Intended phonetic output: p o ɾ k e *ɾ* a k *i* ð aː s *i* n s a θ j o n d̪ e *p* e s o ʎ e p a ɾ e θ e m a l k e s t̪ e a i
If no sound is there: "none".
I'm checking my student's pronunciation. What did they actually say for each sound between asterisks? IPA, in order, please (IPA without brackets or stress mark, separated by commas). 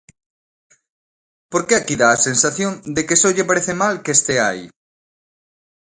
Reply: none, i, e, k